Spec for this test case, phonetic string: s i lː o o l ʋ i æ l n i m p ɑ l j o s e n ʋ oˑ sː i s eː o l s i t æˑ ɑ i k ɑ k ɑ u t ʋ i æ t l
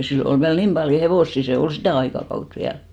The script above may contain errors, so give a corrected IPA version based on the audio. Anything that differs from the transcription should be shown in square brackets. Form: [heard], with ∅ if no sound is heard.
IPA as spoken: s i lː o o l ʋ i æ l n i m p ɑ l j o [h] e [∅] ʋ oˑ sː i s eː o l s i t æˑ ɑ i k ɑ k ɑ u t ʋ i æ [∅] l